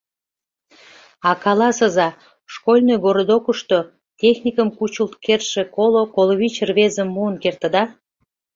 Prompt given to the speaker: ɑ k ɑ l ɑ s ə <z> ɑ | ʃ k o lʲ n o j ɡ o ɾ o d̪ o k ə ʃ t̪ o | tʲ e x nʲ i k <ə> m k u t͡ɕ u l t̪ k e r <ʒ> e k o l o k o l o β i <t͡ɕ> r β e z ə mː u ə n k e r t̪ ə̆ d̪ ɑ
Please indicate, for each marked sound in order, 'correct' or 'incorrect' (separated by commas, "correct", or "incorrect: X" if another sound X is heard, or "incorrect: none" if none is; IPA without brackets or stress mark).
correct, correct, incorrect: ʃ, correct